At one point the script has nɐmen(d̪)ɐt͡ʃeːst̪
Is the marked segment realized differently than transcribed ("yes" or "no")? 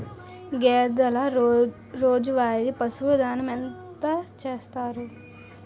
yes